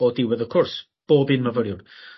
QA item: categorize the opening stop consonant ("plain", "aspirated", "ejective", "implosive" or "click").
plain